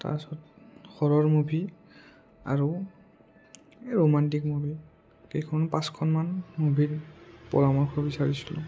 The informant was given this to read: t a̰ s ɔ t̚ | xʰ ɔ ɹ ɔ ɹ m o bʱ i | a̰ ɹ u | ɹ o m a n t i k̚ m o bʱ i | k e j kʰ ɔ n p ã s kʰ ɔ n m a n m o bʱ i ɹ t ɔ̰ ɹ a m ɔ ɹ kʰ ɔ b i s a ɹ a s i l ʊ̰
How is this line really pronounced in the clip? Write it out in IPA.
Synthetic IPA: t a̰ s ɔ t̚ | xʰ ɔ ɹ ɔ ɹ m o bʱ i | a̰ ɹ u | ɹ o m a n t i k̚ m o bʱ i | k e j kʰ ɔ n p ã s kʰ ɔ n m a n m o bʱ i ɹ p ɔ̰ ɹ a m ɔ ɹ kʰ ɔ b i s a ɹ i s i l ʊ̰